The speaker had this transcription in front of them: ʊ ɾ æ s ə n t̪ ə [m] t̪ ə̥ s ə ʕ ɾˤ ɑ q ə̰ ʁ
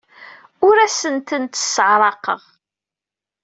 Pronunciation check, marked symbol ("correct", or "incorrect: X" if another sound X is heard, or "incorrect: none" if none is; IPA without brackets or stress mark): incorrect: n